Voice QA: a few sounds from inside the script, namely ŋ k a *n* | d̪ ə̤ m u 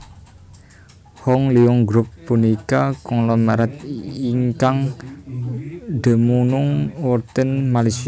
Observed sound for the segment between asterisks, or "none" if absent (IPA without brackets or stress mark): ŋ